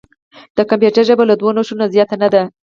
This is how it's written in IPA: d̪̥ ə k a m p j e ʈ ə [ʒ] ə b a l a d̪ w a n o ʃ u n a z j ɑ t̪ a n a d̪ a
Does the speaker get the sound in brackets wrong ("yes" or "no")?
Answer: no